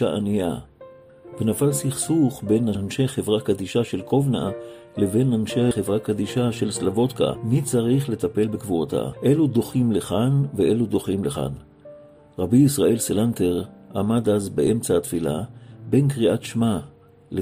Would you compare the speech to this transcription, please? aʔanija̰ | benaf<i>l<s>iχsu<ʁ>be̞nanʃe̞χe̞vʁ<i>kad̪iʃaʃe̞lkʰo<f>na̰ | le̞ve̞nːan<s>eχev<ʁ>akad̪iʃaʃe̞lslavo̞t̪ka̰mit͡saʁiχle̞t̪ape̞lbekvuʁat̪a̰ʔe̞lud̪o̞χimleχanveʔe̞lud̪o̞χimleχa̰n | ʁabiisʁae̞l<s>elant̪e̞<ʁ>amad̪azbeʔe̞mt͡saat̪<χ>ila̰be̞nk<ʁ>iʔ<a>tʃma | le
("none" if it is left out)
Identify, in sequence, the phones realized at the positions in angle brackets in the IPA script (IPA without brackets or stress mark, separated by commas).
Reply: a, s, χ, a, v, ʃ, ʁ, s, ʁ, f, ʁ, a